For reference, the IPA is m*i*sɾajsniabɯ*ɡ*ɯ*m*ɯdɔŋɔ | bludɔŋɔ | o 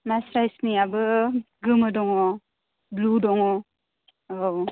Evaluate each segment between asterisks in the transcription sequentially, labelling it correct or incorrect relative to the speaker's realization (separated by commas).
incorrect, correct, correct